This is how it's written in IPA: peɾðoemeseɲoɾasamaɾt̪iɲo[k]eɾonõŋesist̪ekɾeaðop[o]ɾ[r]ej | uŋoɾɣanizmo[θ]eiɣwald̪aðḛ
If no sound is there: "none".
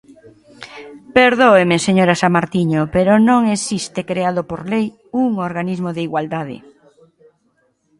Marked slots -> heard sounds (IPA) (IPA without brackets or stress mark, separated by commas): p, o, l, ð